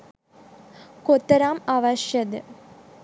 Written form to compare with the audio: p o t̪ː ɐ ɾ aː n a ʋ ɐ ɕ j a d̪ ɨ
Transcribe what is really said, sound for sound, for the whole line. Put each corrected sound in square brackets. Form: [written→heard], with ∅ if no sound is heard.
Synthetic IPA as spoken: [p→k] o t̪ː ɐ ɾ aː [n→m] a ʋ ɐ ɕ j [a→ɐ] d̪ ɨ